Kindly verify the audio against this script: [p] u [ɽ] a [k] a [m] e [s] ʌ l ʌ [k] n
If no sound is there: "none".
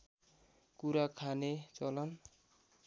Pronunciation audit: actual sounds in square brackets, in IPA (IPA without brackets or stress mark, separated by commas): k, ɾ, kʰ, n, t͡s, none